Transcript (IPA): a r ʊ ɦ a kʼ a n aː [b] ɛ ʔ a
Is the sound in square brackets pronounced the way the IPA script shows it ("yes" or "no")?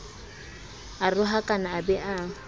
yes